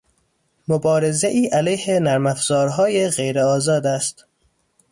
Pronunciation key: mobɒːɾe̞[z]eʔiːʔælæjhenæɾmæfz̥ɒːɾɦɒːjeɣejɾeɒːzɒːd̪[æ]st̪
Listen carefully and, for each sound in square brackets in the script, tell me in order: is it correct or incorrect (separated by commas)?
correct, correct